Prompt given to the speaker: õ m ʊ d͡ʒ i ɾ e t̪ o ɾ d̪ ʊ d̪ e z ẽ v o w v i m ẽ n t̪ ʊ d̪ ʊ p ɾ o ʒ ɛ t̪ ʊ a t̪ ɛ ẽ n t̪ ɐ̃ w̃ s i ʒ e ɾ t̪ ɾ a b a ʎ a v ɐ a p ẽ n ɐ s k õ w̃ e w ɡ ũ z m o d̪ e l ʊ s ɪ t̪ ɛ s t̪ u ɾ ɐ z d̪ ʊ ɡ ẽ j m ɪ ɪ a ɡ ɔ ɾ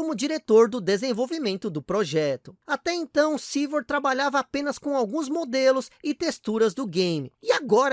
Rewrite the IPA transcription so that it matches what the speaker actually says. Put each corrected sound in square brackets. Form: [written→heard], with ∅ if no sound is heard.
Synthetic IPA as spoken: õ m ʊ d͡ʒ i ɾ e t̪ o ɾ d̪ ʊ d̪ e z ẽ v o w v i m ẽ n t̪ ʊ d̪ ʊ p ɾ o ʒ ɛ t̪ ʊ a t̪ ɛ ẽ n t̪ ɐ̃ w̃ s i [ʒ→v] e ɾ t̪ ɾ a b a ʎ a v ɐ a p ẽ n ɐ s k õ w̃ [e→a] w ɡ ũ z m o d̪ e l ʊ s ɪ t̪ [ɛ→e] s t̪ u ɾ ɐ z d̪ ʊ ɡ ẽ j m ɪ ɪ a ɡ ɔ ɾ

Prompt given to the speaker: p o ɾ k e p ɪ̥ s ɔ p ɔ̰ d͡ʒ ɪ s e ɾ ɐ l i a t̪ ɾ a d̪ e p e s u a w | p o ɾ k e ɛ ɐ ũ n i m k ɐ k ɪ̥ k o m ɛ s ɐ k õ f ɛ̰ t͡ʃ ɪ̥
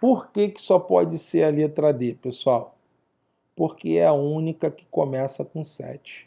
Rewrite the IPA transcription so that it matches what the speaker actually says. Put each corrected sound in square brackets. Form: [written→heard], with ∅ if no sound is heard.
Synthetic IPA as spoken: p o ɾ k e [p→k] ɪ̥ s ɔ p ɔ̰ d͡ʒ ɪ s e ɾ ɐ l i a t̪ ɾ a d̪ e p e s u a w | p o ɾ k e ɛ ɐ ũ n i [m→∅] k ɐ k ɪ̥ k o m ɛ s ɐ k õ [f→s] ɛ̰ t͡ʃ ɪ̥

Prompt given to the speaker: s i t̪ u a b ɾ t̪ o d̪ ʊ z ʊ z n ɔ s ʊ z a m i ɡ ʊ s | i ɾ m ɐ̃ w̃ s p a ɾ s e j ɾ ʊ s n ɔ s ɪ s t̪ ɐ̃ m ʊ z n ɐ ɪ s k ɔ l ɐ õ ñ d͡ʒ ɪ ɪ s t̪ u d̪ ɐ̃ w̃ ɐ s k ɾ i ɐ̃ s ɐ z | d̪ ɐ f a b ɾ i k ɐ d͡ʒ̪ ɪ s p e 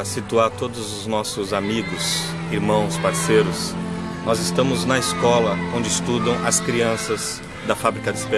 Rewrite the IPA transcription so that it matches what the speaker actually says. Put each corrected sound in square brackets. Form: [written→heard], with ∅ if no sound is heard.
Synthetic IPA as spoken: s i t̪ u a [b→∅] ɾ t̪ o d̪ ʊ z ʊ z n ɔ s ʊ z a m i ɡ ʊ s | i ɾ m ɐ̃ w̃ s p a ɾ s e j ɾ ʊ s n ɔ [s→z] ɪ s t̪ ɐ̃ m ʊ z n ɐ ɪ s k ɔ l ɐ õ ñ d͡ʒ ɪ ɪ s t̪ u d̪ ɐ̃ w̃ ɐ s k ɾ i ɐ̃ s ɐ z | d̪ ɐ f a b ɾ i k ɐ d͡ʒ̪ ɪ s p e

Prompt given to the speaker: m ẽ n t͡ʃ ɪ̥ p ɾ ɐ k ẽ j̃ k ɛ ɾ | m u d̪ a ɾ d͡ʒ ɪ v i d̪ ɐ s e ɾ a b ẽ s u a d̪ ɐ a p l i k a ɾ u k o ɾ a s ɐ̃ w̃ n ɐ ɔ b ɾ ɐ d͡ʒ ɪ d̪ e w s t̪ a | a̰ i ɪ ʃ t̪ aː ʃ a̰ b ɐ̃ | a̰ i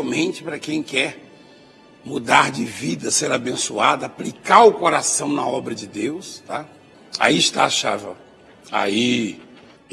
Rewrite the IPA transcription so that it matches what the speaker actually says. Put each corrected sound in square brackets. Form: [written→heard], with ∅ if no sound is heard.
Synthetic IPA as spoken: m ẽ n t͡ʃ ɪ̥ p ɾ ɐ k ẽ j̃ k ɛ ɾ | m u d̪ a ɾ d͡ʒ ɪ v i d̪ ɐ s e ɾ a b ẽ s u a d̪ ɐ a p l i k a ɾ [u→ʊ] k o ɾ a s ɐ̃ w̃ n ɐ ɔ b ɾ ɐ d͡ʒ ɪ d̪ e w s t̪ a | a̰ i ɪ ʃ t̪ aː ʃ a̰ [b→v] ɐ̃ | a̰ i

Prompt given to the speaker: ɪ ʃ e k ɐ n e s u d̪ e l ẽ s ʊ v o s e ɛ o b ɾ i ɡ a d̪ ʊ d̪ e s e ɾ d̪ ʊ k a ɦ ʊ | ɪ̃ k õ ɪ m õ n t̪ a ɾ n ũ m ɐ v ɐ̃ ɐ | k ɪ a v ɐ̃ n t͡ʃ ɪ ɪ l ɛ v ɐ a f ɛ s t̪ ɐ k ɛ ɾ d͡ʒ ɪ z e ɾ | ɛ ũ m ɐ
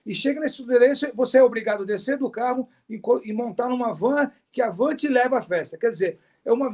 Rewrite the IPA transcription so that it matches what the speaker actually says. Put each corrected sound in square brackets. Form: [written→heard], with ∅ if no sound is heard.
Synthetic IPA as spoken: ɪ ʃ e [k→ɡ] ɐ n e s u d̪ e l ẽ s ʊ v o s e ɛ o b ɾ i ɡ a d̪ ʊ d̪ e s e ɾ d̪ ʊ k a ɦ ʊ | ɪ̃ k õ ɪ m õ n t̪ a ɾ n ũ m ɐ v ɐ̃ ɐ | k ɪ a v ɐ̃ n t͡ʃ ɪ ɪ l ɛ v ɐ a f ɛ s t̪ ɐ k ɛ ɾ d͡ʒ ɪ z e ɾ | ɛ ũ m ɐ

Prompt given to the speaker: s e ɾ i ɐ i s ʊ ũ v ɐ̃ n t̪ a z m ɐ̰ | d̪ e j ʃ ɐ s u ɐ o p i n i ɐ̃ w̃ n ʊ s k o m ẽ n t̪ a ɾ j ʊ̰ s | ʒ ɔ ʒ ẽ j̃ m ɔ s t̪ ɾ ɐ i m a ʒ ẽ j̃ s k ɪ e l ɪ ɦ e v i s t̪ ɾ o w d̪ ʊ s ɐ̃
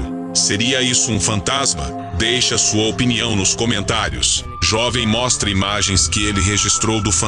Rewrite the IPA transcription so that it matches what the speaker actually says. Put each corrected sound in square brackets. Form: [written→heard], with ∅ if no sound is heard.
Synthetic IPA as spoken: s e ɾ i ɐ i s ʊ ũ [v→f] ɐ̃ n t̪ a z m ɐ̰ | d̪ e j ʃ ɐ s u ɐ o p i n i ɐ̃ w̃ n ʊ s k o m ẽ n t̪ a ɾ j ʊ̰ s | ʒ ɔ [ʒ→v] ẽ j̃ m ɔ s t̪ ɾ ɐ i m a ʒ ẽ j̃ s k ɪ e l ɪ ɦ e [v→ʒ] i s t̪ ɾ o w d̪ ʊ [s→f] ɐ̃

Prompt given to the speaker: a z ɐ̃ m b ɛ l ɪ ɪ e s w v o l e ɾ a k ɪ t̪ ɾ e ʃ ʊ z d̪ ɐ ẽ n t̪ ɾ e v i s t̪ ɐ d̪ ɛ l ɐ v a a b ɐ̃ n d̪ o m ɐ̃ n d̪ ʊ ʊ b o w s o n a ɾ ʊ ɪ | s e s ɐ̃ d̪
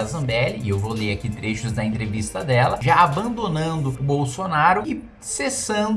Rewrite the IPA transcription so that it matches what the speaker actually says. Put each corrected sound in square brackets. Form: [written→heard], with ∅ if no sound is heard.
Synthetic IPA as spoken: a z ɐ̃ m b ɛ l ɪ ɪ e [s→∅] w v o l e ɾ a k [ɪ→i] t̪ ɾ e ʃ ʊ z d̪ ɐ ẽ n t̪ ɾ e v i s t̪ ɐ d̪ ɛ l ɐ [v→ʒ] a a b ɐ̃ n d̪ o [m→n] ɐ̃ n d̪ ʊ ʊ b o w s o n a ɾ ʊ ɪ | s e s ɐ̃ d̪

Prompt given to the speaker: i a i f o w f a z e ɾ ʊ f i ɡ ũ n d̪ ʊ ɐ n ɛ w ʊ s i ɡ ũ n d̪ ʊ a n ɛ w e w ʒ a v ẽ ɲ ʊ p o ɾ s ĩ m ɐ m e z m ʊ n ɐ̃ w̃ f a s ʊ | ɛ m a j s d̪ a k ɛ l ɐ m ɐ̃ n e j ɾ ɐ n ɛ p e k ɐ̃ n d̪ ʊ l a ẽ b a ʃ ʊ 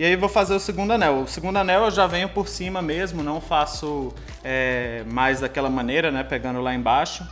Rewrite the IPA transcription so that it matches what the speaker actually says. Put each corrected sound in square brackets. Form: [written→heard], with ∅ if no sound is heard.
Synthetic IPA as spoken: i a i [f→v] o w f a z e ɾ ʊ [f→s] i ɡ ũ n d̪ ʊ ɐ n ɛ w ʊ s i ɡ ũ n d̪ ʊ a n ɛ w e w ʒ a v ẽ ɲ ʊ p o ɾ s ĩ m ɐ m e z m ʊ n ɐ̃ w̃ f a s ʊ | ɛ m a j [s→z] d̪ a k ɛ l ɐ m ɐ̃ n e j ɾ ɐ n ɛ p e [k→ɡ] ɐ̃ n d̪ ʊ l a ẽ b a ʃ ʊ

